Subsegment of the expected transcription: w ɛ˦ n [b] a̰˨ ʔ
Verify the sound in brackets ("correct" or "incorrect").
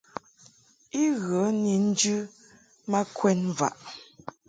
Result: incorrect